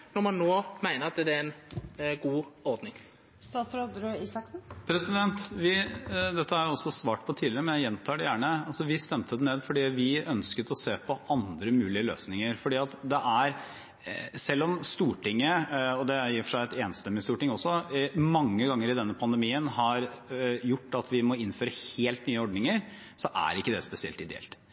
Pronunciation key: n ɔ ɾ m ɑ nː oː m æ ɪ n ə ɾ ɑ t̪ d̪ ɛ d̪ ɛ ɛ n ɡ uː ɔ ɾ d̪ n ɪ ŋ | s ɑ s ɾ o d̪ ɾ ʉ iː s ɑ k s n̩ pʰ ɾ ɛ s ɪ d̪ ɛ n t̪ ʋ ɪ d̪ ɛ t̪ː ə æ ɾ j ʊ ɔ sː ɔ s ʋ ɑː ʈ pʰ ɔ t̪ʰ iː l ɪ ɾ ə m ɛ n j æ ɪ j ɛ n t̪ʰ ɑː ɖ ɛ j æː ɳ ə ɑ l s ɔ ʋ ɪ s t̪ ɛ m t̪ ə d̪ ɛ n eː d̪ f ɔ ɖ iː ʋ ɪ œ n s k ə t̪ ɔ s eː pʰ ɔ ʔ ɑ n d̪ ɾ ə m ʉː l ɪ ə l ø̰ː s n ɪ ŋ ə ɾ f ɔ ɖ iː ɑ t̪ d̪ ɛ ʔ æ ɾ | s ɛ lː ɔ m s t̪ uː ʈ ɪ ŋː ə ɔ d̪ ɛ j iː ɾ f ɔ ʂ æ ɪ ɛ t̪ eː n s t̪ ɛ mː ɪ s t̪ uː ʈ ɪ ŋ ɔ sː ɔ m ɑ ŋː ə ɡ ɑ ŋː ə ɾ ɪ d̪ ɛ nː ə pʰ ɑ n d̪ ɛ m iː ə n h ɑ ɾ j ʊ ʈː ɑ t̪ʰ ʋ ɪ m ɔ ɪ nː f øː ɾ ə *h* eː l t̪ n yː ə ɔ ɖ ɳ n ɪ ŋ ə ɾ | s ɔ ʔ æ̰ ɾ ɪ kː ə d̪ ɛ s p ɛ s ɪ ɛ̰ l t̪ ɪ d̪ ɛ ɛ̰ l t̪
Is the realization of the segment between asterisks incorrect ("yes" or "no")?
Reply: no